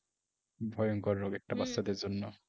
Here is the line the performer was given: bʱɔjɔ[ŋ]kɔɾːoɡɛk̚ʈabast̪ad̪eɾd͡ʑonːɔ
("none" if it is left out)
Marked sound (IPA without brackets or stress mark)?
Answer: ŋ